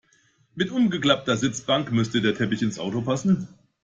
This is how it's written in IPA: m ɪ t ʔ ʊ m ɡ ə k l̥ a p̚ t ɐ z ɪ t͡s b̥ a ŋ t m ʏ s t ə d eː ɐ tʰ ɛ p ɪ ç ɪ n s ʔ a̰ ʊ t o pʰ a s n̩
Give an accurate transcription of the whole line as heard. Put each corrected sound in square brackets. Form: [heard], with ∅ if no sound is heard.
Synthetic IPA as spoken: m ɪ t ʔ ʊ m ɡ ə k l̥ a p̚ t ɐ z ɪ t͡s b̥ a ŋ [k] m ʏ s t ə d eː ɐ tʰ ɛ p ɪ ç ɪ n s ʔ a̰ ʊ t o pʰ a s n̩